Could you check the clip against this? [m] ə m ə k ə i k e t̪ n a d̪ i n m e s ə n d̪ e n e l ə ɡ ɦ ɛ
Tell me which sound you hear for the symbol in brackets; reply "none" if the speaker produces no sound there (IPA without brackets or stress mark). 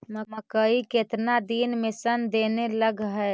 m